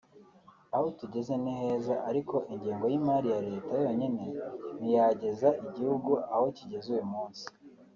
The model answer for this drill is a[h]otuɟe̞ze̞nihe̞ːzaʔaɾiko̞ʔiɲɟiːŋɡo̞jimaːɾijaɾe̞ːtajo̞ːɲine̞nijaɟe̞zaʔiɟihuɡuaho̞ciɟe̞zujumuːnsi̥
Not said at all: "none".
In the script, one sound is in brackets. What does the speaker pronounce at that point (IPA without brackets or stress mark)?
h